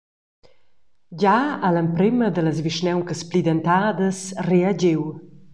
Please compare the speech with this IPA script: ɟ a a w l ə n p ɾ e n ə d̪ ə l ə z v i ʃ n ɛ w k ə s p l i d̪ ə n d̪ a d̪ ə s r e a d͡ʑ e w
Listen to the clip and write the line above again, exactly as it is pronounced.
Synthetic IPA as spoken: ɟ a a l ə m p ɾ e m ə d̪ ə l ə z v i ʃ n ɛ w k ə s p l i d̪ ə n t̪ a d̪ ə s r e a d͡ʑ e w